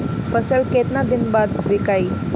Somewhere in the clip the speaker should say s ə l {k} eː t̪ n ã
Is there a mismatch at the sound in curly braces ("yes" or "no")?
no